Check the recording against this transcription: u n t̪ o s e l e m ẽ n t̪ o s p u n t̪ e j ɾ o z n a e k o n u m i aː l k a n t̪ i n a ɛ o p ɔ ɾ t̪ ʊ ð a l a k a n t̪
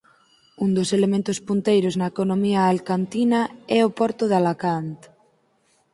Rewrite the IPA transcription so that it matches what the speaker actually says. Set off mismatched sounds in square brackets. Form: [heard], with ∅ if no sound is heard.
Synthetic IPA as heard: u n [d̪] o s e l e m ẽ n t̪ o s p u n t̪ e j ɾ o z n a e k o n [o] m i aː l k a n t̪ i n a ɛ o p ɔ ɾ t̪ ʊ ð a l a k a n t̪